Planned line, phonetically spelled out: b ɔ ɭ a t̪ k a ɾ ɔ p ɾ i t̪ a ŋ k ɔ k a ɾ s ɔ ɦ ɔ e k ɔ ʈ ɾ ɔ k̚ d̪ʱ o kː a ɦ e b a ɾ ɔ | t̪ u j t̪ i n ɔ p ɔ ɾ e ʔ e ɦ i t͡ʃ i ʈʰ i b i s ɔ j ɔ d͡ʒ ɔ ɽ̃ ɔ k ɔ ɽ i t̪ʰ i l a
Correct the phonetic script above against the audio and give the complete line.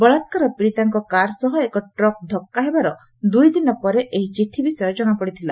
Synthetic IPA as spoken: b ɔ ɭ a t̪ k a ɾ ɔ p ɾ i t̪ a ŋ k ɔ k a ɾ s ɔ ɦ ɔ e k ɔ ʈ ɾ ɔ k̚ d̪ʱ ɔ kː a ɦ e b a ɾ ɔ | d̪ u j d̪ i n ɔ p ɔ ɾ e ʔ e ɦ i t͡ʃ i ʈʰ i b i s ɔ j ɔ d͡ʒ ɔ ɽ̃ ɔ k ɔ ɽ i t̪ʰ i l a